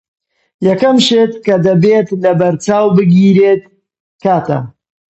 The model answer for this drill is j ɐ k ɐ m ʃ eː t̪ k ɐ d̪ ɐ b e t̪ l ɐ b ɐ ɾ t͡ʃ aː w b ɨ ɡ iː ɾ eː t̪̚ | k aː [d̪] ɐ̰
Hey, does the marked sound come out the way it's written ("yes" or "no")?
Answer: no